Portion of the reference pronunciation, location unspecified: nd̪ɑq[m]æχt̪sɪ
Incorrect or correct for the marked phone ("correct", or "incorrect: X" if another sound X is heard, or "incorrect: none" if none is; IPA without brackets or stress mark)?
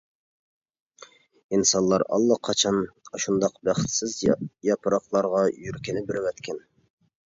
incorrect: b